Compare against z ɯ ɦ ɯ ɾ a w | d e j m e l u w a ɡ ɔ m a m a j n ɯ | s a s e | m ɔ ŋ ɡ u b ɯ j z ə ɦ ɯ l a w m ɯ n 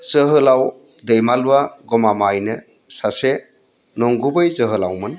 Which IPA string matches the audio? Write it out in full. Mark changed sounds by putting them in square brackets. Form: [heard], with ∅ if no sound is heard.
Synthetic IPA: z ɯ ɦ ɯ [l] a w | d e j m [a] l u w a ɡ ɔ m a m a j n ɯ | s a s e | [n] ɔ ŋ ɡ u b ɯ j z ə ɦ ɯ l a w m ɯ n